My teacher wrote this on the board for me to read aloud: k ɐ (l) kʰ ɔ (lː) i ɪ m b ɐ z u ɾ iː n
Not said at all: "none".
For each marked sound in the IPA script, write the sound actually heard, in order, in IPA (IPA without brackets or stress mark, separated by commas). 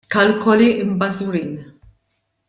l, l